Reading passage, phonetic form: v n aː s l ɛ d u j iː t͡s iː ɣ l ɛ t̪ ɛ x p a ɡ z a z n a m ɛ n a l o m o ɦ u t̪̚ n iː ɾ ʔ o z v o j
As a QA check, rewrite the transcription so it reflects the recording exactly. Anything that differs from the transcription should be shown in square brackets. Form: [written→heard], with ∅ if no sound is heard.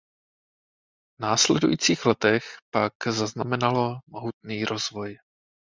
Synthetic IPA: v n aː s l ɛ d u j iː t͡s iː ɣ l ɛ t̪ ɛ x p a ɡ z a z n a m ɛ n a l o m o ɦ u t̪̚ n iː ɾ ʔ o z v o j